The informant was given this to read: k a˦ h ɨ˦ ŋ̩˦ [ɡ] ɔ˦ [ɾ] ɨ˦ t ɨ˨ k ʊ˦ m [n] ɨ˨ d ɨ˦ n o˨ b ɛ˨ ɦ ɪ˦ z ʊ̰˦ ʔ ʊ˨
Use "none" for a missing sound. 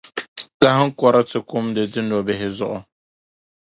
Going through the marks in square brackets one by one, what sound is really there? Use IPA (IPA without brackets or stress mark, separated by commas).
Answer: k, ɾ, d